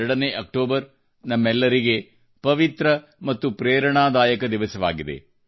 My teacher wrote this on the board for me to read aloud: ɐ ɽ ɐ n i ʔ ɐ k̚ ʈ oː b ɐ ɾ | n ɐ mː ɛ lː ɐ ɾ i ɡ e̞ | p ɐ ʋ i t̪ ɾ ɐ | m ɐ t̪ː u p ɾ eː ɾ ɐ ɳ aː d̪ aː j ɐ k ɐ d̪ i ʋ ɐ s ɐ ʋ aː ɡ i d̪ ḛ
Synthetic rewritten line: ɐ ɽ ɐ n e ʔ ɐ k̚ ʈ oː b ɐ ɾ | n ɐ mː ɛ lː ɐ ɾ i ɡ e̞ | p ɐ ʋ i t̪ ɾ ɐ | m ɐ t̪ː u p ɾ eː ɾ ɐ ɳ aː d̪ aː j ɐ k ɐ d̪ i ʋ ɐ s ɐ ʋ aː ɡ i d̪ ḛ